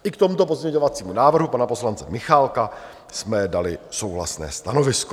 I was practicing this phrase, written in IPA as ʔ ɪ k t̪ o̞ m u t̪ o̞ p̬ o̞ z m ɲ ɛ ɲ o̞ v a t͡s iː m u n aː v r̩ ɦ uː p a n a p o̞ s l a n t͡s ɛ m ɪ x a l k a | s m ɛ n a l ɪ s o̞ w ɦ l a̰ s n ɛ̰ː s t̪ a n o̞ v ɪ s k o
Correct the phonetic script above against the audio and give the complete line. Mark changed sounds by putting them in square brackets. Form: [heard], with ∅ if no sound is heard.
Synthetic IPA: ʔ ɪ k t̪ o̞ m u t̪ o̞ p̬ o̞ z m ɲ ɛ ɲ o̞ v a t͡s iː m u n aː v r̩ ɦ [u] p a n a p o̞ s l a n t͡s ɛ m ɪ x a l k a | s m ɛ [d] a l ɪ s o̞ w ɦ l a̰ s n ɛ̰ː s t̪ a n o̞ v ɪ s k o